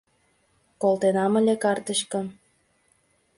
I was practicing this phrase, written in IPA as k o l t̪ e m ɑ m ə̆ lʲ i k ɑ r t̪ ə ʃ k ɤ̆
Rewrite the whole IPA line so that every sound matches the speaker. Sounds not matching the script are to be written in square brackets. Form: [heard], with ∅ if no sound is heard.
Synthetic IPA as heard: k o l t̪ e [n] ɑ m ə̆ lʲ [e] k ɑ r t̪ ə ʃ k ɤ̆